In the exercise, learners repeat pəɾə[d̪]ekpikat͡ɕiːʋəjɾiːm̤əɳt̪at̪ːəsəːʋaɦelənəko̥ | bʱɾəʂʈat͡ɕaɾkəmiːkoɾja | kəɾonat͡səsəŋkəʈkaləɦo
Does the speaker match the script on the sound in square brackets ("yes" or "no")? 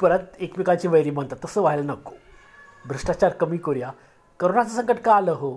no